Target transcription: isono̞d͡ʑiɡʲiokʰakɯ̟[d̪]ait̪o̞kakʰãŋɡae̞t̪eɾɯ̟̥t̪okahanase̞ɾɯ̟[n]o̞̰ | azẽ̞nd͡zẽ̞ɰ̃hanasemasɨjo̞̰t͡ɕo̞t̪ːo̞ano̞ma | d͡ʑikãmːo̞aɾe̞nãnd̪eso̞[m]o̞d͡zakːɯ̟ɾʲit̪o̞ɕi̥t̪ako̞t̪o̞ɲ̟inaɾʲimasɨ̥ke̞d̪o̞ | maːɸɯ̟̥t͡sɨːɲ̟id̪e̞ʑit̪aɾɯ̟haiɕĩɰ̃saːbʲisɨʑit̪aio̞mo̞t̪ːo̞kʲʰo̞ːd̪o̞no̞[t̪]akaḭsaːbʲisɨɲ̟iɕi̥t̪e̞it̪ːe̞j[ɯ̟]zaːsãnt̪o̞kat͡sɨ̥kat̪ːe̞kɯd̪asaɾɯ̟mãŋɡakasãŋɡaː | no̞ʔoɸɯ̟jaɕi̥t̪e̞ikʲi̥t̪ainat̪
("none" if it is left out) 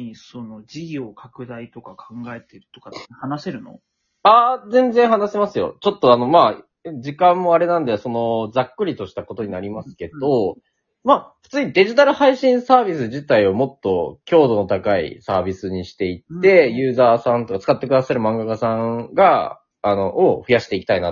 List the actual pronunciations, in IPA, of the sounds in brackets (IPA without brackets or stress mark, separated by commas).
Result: d̪, n, n, t̪, ɯ̟ː